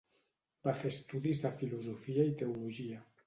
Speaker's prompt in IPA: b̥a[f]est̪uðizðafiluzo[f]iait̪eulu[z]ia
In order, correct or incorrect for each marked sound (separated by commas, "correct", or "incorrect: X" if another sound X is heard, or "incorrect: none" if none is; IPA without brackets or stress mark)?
correct, correct, incorrect: ʒ